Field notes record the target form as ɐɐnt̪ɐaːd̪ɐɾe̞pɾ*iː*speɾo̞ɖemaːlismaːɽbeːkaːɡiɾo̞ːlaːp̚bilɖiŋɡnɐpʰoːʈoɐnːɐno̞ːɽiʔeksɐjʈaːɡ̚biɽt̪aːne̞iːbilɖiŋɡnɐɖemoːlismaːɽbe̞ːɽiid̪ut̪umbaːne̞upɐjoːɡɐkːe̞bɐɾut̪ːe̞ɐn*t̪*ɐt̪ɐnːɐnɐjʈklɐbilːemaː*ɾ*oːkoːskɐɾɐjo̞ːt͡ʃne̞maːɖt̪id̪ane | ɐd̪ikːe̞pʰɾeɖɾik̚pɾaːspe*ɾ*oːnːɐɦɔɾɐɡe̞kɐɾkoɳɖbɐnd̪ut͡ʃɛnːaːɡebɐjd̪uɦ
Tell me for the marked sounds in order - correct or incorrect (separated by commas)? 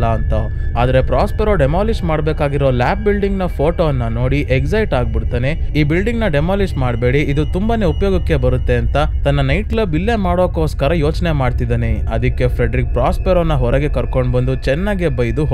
incorrect, correct, incorrect, correct